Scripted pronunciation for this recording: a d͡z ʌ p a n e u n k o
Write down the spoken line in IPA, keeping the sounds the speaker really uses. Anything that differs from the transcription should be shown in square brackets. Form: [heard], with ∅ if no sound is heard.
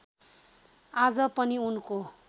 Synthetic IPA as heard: a d͡z ʌ p [ʌ] n [i] u n k o